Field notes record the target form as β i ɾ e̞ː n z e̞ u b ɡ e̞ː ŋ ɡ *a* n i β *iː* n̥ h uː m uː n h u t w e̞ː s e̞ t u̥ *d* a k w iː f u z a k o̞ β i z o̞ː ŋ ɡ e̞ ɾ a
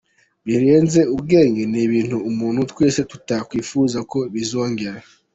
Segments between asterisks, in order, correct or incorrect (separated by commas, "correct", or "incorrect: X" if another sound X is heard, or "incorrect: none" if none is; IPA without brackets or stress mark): incorrect: e, correct, incorrect: t